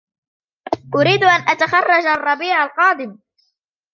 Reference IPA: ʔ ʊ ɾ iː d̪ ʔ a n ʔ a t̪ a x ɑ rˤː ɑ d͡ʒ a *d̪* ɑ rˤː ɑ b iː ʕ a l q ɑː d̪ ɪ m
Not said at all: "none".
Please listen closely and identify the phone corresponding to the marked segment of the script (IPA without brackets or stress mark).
none